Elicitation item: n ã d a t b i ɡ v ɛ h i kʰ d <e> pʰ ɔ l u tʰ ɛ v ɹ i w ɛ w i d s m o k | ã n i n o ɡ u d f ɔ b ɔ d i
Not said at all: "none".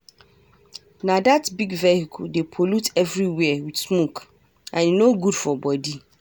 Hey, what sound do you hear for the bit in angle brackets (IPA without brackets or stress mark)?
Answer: e